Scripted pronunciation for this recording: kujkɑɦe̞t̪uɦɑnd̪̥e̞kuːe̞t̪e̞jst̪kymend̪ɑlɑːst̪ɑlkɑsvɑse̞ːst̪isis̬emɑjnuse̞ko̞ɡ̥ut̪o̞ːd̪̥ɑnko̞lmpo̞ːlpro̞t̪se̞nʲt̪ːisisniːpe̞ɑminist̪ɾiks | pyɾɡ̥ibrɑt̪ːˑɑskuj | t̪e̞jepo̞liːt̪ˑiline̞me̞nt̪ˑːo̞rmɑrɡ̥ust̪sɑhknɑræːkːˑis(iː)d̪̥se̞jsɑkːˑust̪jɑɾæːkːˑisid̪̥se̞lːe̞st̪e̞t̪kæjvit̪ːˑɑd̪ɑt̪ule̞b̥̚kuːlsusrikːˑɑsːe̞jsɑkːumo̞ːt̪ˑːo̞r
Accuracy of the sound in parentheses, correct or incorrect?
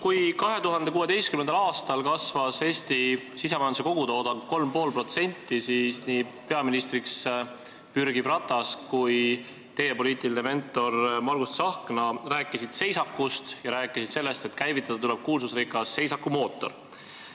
incorrect